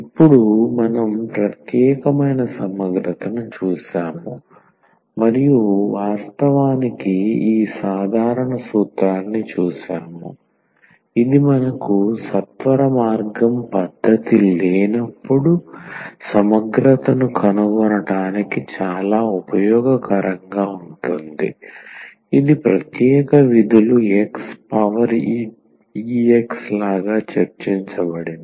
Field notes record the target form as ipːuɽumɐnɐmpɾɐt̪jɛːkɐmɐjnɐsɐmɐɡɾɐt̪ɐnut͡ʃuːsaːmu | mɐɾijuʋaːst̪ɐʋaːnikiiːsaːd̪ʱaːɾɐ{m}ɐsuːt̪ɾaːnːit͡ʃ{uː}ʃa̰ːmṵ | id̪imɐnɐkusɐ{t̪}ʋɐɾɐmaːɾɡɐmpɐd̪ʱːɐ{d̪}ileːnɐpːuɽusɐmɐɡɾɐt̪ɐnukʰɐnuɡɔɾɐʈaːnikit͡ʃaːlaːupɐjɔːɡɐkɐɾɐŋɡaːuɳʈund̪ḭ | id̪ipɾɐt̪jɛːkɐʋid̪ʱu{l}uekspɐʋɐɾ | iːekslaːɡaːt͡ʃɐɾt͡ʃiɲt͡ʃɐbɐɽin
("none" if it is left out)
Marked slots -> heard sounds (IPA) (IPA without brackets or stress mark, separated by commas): ɳ, uː, t̪, t̪, l